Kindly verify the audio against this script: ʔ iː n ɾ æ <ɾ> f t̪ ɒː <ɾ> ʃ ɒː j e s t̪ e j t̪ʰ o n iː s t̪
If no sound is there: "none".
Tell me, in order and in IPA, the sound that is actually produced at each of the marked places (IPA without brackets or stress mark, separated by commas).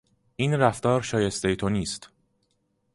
none, ɾ